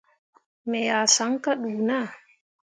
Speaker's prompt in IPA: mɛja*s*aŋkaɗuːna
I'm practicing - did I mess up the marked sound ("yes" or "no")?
no